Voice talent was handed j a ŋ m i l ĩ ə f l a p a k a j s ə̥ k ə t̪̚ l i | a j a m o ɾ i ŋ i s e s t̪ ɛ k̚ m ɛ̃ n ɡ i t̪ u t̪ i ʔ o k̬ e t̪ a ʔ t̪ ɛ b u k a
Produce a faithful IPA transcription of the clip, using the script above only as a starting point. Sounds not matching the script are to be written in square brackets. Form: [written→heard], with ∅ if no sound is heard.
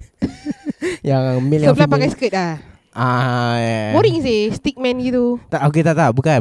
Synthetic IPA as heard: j a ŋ m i l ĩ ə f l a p a k a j s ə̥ k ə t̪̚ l [i→a] | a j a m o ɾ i ŋ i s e s t̪ [ɛ→i] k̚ m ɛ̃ n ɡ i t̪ u t̪ [i→a] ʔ o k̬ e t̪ a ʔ t̪ [ɛ→a] b u k a